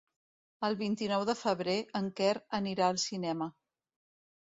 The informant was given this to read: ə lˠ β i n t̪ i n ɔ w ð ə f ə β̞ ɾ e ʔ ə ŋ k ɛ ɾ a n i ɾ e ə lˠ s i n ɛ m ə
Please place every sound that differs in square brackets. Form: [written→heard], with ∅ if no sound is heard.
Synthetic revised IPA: ə lˠ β i n t̪ i n ɔ w ð ə f ə β̞ ɾ e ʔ ə ŋ k ɛ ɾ [a→ə] n i ɾ [e→a] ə lˠ s i n ɛ m ə